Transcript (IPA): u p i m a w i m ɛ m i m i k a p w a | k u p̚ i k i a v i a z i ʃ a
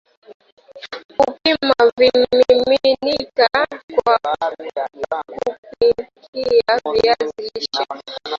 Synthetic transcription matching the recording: u p i m a v i m i m i n i k a k w a | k u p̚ i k i a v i a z i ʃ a

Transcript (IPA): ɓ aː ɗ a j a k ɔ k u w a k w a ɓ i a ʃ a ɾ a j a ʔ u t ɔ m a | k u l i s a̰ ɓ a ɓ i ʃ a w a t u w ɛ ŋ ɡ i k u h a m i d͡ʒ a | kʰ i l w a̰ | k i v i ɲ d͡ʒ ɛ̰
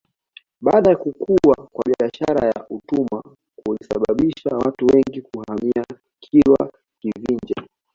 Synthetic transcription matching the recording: ɓ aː ɗ a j a k u k u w a k w a ɓ i a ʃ a ɾ a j a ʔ u t u m a | k u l i s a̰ ɓ a ɓ i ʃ a w a t u w ɛ ŋ ɡ i k u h a m i a | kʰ i l w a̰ | k i v i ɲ d͡ʒ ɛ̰

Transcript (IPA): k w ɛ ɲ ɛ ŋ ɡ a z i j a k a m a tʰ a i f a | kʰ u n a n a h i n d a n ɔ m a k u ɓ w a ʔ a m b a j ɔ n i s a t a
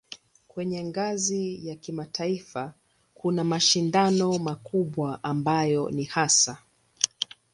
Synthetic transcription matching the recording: k w ɛ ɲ ɛ ŋ ɡ a z i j a k i m a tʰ a i f a | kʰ u n a m a ʃ i n d a n ɔ m a k u ɓ w a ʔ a m b a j ɔ n i h a s a

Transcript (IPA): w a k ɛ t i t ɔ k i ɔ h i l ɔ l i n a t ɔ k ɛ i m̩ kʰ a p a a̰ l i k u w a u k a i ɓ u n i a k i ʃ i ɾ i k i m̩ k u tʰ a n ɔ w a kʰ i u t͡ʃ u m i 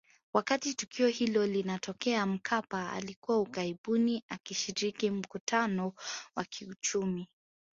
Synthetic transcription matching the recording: w a k a t i t u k i ɔ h i l ɔ l i n a t ɔ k ɛ a m̩ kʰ a p a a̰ l i k u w a u k a i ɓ u n i a k i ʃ i ɾ i k i m̩ k u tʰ a n ɔ w a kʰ i u t͡ʃ u m i

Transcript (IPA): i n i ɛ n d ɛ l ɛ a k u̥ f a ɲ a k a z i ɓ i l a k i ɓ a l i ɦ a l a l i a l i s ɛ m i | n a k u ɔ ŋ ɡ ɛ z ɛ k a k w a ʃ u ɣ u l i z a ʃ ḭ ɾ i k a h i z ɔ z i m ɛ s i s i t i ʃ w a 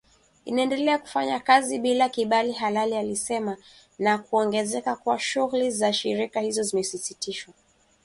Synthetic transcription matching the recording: i n a ɛ n d ɛ l ɛ a k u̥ f a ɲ a k a z i ɓ i l a k i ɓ a l i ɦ a l a l i a l i s ɛ m a | n a k u ɔ ŋ ɡ ɛ z ɛ k a k w a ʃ u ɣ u l i z a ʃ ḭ ɾ i k a h i z ɔ z i m ɛ s i s i t i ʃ w a

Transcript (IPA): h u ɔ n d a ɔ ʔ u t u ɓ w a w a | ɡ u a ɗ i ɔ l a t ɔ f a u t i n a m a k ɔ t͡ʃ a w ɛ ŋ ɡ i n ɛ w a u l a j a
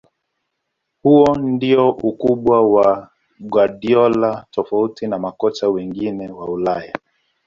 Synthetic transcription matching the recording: h u ɔ n d i ɔ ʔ u k u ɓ w a w a | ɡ w a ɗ i ɔ l a t ɔ f a u t i n a m a k ɔ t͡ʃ a w ɛ ŋ ɡ i n ɛ w a u l a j a

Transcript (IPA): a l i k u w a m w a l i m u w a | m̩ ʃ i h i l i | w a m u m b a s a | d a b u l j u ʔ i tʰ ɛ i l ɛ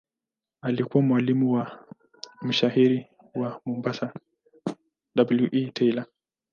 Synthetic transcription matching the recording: a l i k u w a m w a l i m u w a | m̩ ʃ a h i ɾ i | w a m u m b a s a | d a b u l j u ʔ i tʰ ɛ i l a

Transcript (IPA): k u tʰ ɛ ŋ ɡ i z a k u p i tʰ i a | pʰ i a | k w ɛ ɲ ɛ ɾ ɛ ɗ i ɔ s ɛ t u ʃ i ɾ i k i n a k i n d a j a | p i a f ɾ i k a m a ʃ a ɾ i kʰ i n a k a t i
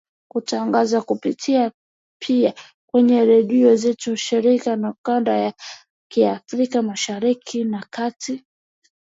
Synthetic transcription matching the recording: k u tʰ a ŋ ɡ a z a k u p i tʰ i a | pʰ i a | k w ɛ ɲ ɛ ɾ ɛ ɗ i ɔ z ɛ t u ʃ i ɾ i k a n a k a n d a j a | k i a f ɾ i k a m a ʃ a ɾ i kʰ i n a k a t i

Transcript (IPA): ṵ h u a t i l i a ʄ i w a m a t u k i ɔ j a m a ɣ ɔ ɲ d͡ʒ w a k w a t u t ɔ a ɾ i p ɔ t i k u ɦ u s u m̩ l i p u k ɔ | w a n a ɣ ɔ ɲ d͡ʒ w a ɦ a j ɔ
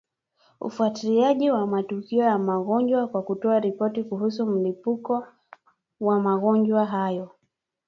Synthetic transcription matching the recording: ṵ f u a t i l i a ʄ i w a m a t u k i ɔ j a m a ɣ ɔ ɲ d͡ʒ w a k w a k u t ɔ a ɾ i p ɔ t i k u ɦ u s u m̩ l i p u k ɔ | w a m a ɣ ɔ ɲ d͡ʒ w a ɦ a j ɔ

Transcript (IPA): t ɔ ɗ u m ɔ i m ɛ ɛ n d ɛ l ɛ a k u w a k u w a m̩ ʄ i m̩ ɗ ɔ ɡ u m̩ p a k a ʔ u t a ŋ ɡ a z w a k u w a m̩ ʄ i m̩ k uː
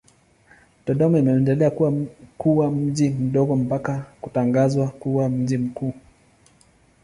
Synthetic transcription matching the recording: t ɔ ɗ ɔ m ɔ i m ɛ ɛ n d ɛ l ɛ a k u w a k u w a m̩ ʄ i m̩ ɗ ɔ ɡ ɔ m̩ p a k a k u t a ŋ ɡ a z w a k u w a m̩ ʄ i m̩ k uː

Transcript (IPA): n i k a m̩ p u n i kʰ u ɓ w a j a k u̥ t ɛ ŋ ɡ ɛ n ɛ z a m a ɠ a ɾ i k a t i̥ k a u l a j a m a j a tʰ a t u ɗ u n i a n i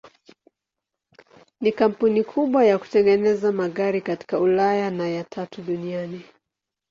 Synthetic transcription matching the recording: n i k a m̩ p u n i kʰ u ɓ w a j a k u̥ t ɛ ŋ ɡ ɛ n ɛ z a m a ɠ a ɾ i k a t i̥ k a u l a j a n a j a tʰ a t u ɗ u n i a n i

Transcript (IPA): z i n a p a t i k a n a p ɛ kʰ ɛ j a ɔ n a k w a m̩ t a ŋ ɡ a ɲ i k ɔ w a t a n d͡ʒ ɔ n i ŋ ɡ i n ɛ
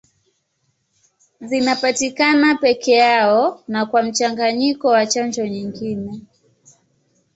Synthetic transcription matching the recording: z i n a p a t i k a n a p ɛ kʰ ɛ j a ɔ n a k w a m̩ t͡ʃ a ŋ ɡ a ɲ i k ɔ w a t͡ʃ a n d͡ʒ ɔ ɲ i ŋ ɡ i n ɛ

